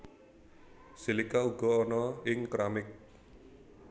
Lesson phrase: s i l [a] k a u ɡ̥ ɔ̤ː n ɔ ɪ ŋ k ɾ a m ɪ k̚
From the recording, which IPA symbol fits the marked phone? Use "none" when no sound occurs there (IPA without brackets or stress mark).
i